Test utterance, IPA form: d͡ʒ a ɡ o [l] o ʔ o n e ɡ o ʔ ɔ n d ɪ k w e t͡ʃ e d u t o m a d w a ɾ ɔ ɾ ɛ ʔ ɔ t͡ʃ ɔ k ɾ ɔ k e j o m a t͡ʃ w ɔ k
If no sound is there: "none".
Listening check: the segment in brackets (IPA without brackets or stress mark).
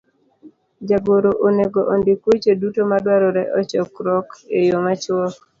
ɾ